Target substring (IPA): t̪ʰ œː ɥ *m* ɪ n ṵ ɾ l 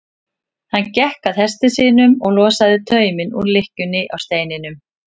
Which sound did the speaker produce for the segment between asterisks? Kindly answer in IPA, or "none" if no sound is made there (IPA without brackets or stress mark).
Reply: m